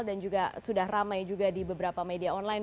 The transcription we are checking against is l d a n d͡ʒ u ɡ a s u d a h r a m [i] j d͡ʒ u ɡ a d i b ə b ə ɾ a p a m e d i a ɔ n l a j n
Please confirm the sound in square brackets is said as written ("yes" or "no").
no